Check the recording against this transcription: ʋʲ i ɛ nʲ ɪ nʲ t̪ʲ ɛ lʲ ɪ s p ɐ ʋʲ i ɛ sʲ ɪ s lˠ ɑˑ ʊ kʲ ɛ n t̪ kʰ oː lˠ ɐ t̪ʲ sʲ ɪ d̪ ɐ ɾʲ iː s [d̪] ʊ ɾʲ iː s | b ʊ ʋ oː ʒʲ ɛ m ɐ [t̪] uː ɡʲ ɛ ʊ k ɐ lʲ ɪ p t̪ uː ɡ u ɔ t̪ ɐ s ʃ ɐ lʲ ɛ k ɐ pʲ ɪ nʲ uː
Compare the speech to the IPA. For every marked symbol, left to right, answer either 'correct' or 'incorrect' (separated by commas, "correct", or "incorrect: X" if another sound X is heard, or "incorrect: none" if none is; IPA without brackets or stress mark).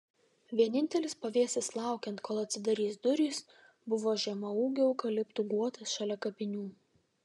correct, incorrect: none